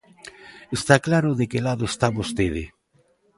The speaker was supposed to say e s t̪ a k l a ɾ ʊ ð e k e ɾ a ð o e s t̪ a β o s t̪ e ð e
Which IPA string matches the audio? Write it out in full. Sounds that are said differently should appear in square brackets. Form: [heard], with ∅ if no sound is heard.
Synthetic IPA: e s t̪ a k l a ɾ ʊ ð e k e [l] a ð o e s t̪ a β o s t̪ e ð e

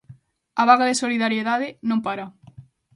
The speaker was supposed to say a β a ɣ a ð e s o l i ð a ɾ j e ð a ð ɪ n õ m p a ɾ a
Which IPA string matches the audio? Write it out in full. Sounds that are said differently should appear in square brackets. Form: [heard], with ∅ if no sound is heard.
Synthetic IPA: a β a ɣ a ð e s o l i ð a ɾ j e ð a ð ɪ n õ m p a ɾ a

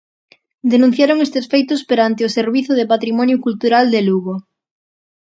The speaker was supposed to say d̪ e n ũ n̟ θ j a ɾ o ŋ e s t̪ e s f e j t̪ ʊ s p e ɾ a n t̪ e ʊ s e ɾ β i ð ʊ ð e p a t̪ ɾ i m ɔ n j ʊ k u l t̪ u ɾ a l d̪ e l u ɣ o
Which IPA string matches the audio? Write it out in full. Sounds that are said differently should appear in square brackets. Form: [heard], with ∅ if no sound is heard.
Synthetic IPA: d̪ e n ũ n̟ θ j a ɾ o ŋ e s t̪ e s f e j t̪ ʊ s p e ɾ a n t̪ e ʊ s e ɾ β i [θ] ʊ ð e p a t̪ ɾ i m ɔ n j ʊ k u l t̪ u ɾ a l d̪ e l u ɣ o

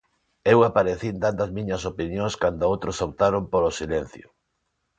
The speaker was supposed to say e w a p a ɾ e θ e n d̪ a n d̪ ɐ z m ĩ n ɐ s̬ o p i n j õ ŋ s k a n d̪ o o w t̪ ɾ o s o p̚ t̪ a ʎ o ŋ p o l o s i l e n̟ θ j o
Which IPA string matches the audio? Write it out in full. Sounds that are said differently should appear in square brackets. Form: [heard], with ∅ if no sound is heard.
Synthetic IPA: e w a p a ɾ e θ [i] n d̪ a n d̪ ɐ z m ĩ [ɲ] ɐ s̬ o p i n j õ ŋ s k a n d̪ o o w t̪ ɾ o s o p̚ t̪ a [ɾ] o [m] p o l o s i l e n̟ θ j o

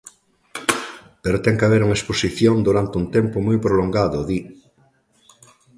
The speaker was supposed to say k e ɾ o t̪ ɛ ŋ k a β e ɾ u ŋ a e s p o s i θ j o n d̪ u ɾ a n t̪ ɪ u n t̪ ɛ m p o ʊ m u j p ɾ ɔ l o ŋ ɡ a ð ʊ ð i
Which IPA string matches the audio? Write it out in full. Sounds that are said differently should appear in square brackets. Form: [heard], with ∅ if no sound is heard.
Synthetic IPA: [p] e ɾ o t̪ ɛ ŋ k a β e ɾ u ŋ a e s p o s i θ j o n d̪ u ɾ a n t̪ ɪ u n t̪ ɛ m p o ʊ m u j p ɾ [o] l o ŋ ɡ a ð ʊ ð i

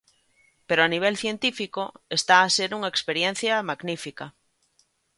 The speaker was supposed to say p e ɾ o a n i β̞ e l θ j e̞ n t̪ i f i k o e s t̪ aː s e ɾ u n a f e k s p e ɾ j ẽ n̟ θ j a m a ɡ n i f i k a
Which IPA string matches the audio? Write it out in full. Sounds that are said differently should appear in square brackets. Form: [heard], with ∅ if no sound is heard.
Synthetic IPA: p e ɾ o a n i β̞ e l θ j e̞ n t̪ i f i k o e s t̪ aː s e ɾ u [ŋ] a [∅] e k s p e ɾ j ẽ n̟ θ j a m a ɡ n i f i k a

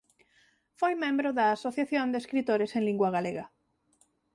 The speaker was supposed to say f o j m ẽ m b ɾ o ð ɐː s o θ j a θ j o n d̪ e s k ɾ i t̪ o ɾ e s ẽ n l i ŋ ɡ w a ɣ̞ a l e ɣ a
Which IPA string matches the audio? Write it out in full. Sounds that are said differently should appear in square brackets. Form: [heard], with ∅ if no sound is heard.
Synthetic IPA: f o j m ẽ m b ɾ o ð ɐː s o θ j a θ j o n d̪ e s k ɾ i t̪ o ɾ e s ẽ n l i ŋ ɡ w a ɣ̞ a l e ɣ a

